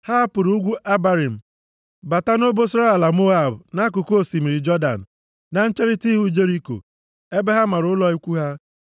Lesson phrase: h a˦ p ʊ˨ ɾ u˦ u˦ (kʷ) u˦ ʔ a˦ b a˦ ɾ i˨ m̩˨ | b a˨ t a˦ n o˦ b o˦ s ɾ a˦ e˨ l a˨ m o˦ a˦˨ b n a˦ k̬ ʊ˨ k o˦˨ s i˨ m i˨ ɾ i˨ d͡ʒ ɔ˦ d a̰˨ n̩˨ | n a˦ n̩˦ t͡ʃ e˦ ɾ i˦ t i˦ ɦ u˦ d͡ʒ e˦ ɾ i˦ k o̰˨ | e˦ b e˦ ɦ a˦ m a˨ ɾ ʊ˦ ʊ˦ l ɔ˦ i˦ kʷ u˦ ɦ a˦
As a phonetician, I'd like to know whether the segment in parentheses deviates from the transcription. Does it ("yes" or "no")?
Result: yes